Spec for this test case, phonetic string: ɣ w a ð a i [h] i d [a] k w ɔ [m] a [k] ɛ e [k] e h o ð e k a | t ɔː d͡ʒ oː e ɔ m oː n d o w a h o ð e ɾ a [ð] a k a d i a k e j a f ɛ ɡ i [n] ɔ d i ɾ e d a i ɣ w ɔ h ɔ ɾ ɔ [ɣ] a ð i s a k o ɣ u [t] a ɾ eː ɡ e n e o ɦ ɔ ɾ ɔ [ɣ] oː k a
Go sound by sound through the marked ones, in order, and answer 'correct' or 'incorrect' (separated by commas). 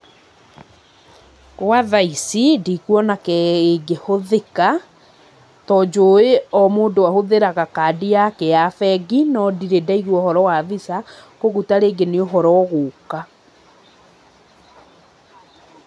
incorrect, incorrect, incorrect, correct, incorrect, incorrect, correct, incorrect, correct, correct